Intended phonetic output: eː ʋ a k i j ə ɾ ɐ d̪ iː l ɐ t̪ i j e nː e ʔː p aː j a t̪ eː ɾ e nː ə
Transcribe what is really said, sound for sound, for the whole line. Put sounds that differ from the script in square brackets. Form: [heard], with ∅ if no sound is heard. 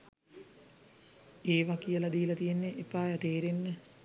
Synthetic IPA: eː ʋ a k i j ə [l] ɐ d̪ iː l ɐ t̪ i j e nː e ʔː p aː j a t̪ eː ɾ e nː ə